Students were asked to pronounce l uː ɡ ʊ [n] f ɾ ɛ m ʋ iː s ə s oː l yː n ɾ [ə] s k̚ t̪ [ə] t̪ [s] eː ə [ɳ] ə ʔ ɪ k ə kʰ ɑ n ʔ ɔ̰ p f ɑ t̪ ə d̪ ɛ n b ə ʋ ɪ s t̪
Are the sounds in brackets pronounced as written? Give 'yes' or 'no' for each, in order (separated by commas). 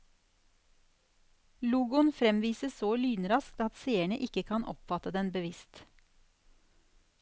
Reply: yes, no, no, yes, yes